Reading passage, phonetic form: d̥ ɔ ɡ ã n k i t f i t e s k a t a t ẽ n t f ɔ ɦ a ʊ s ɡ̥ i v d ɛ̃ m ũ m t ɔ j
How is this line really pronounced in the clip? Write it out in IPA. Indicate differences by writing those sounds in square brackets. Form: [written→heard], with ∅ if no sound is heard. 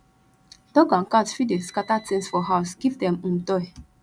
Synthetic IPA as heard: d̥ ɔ ɡ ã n k [i→a] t f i [t→d] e s k a t a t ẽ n [t→s] f ɔ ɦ a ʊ s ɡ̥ i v d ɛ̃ m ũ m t ɔ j